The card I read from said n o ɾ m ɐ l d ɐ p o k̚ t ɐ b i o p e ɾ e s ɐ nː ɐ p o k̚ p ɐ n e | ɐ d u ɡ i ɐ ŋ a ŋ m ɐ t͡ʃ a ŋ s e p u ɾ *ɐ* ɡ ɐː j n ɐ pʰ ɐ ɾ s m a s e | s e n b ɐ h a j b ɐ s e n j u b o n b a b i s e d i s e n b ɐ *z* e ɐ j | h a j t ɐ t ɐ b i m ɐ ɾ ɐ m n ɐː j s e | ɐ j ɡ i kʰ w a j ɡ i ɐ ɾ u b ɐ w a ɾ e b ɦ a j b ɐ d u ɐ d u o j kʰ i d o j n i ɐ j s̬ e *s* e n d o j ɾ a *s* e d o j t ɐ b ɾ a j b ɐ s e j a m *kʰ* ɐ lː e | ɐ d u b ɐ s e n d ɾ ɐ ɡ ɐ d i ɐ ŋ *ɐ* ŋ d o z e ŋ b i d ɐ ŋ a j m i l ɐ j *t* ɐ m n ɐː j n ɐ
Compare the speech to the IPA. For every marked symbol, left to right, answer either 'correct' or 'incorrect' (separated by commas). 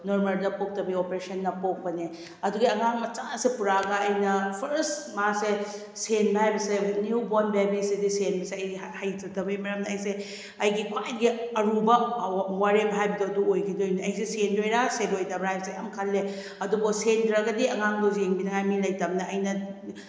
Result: incorrect, incorrect, correct, correct, correct, incorrect, correct